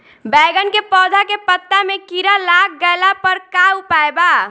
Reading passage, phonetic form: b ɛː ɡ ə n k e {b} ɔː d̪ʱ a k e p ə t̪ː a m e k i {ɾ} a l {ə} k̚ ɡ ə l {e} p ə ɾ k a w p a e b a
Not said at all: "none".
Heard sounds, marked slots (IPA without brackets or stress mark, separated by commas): p, ɾ, a, a